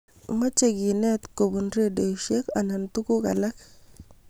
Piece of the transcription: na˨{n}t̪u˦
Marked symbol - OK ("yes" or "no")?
yes